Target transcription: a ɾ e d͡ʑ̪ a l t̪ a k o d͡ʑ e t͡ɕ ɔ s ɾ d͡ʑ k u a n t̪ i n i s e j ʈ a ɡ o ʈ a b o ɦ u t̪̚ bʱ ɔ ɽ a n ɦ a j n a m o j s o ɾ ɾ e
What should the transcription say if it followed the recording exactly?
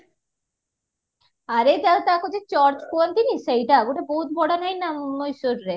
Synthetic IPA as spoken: a ɾ e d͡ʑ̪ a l t̪ a k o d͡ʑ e t͡ɕ ɔ ɾ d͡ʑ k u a n t̪ i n i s e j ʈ a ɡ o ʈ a b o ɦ u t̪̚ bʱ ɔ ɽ a n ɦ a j n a m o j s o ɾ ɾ e